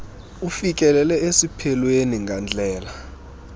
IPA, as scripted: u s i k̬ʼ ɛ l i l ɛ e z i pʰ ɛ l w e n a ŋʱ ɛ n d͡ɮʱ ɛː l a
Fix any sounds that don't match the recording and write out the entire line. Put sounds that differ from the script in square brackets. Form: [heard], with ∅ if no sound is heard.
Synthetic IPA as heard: u [f] i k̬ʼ ɛ l [ɛ] l ɛ e [s] i pʰ ɛ l w e n [i] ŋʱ [a] n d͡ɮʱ ɛː l a